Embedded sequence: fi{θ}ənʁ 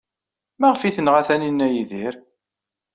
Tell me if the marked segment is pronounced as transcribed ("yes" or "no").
yes